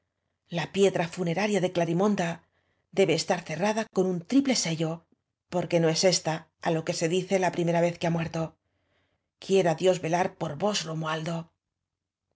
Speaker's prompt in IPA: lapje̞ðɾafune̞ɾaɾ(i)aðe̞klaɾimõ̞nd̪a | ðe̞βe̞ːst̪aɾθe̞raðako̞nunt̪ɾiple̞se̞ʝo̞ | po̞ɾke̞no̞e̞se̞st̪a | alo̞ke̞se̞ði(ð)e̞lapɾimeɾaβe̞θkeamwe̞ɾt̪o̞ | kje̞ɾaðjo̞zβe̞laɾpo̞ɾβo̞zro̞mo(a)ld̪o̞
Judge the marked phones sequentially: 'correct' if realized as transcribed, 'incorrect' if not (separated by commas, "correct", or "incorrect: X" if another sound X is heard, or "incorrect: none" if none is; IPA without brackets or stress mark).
incorrect: j, incorrect: θ, correct